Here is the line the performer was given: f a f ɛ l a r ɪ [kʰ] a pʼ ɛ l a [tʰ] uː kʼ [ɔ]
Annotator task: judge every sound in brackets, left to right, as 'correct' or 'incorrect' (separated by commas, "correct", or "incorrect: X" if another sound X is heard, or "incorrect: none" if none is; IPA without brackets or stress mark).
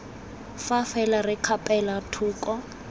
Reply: correct, correct, correct